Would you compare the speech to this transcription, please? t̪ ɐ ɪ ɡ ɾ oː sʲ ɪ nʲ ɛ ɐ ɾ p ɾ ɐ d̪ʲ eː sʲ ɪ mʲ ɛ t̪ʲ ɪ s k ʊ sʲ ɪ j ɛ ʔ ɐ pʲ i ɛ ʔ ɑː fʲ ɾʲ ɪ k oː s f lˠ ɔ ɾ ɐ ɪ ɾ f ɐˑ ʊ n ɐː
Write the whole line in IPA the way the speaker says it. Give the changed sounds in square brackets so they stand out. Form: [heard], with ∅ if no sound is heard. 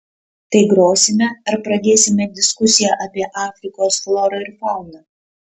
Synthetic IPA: t̪ ɐ ɪ ɡ ɾ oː sʲ ɪ [mʲ] ɛ ɐ ɾ p ɾ ɐ d̪ʲ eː sʲ ɪ mʲ ɛ [d̪ʲ] ɪ s k ʊ sʲ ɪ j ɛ ʔ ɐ pʲ i ɛ ʔ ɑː fʲ ɾʲ ɪ k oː s f lˠ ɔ ɾ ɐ ɪ ɾ f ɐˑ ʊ n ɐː